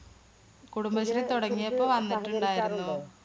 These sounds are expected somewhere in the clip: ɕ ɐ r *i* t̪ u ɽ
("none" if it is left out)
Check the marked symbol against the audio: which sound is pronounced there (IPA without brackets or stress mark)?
i